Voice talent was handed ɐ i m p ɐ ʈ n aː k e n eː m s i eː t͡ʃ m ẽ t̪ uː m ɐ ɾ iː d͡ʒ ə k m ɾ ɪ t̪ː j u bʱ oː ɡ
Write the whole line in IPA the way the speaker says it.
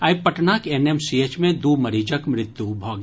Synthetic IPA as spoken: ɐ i p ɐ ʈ n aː k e n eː m s i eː t͡ʃ m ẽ d̪ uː m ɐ ɾ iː d͡ʒ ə k m ɾ ɪ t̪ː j u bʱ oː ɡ